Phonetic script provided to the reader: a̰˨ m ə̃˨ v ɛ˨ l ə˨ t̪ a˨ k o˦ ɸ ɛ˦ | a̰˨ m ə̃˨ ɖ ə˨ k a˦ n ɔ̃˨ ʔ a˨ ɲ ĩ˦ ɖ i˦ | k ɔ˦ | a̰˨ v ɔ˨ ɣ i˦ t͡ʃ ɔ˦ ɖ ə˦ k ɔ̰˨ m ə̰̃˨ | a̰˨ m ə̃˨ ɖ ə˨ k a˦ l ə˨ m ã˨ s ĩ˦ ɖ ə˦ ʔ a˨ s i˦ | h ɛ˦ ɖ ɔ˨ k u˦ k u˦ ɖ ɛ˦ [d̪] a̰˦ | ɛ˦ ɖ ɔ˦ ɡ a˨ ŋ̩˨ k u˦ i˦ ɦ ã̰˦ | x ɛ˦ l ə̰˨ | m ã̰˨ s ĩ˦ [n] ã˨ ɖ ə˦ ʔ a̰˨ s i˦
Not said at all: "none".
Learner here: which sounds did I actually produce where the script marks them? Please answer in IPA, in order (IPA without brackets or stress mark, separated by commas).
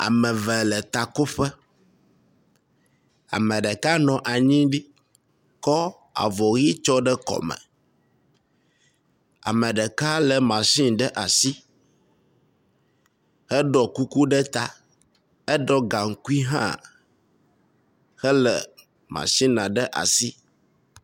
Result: t̪, n